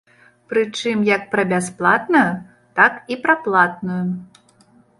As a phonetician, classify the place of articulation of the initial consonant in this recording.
labial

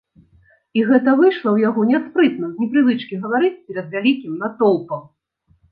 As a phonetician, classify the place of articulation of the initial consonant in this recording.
velar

